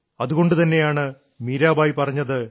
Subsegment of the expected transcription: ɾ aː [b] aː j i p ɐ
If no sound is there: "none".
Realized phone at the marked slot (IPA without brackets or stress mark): b